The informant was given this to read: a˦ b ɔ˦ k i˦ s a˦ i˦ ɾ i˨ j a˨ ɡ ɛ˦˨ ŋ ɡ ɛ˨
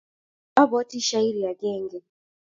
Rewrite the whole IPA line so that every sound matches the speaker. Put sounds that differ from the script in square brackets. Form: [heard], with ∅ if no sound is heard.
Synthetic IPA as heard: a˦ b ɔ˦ [t] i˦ [ʃ] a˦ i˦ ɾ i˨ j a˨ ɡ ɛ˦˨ ŋ ɡ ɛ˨